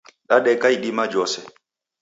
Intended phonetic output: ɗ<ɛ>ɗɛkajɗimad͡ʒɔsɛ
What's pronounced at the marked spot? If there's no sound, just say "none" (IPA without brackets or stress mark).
a